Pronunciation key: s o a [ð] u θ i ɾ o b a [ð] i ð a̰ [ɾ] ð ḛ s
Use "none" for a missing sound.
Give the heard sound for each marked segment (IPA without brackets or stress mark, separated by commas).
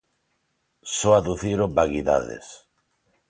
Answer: ð, ɣ, none